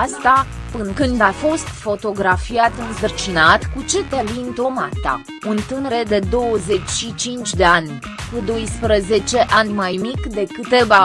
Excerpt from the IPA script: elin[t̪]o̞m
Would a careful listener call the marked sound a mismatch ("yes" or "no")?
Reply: no